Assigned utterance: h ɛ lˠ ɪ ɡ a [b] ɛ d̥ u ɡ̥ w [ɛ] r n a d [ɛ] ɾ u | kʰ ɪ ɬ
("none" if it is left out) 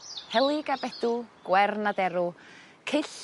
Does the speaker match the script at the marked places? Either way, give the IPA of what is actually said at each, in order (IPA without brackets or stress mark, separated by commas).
b, ɛ, ɛ